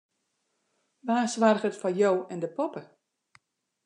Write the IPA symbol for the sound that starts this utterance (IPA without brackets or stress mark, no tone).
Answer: ʋ